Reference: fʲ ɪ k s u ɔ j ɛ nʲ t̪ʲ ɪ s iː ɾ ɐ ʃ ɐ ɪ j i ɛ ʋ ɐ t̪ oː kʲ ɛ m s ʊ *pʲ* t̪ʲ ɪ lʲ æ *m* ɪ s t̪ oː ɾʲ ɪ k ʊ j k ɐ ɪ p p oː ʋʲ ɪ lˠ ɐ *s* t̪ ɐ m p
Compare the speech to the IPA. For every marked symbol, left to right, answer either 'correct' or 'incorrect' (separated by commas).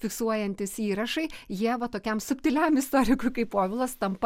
correct, correct, correct